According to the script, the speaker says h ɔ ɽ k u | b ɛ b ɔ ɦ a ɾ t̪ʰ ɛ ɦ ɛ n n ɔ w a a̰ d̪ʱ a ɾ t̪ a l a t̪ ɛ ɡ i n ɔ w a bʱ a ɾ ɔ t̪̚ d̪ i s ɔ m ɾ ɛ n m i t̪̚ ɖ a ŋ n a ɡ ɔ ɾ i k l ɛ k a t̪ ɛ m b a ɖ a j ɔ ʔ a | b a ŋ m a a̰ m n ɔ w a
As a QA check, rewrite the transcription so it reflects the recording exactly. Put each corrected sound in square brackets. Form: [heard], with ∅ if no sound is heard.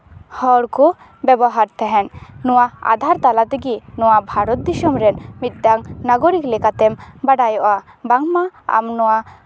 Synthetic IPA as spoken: h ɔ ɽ k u | b ɛ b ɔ ɦ a ɾ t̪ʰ ɛ ɦ ɛ n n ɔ w a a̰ d̪ʱ a ɾ t̪ a l a t̪ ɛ ɡ i n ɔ w a bʱ a ɾ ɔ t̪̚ d̪ i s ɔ m ɾ ɛ n m i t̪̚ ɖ a ŋ n a ɡ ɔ ɾ i k l ɛ k a t̪ ɛ m b a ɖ a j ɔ ʔ a | b a ŋ m a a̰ m n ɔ w a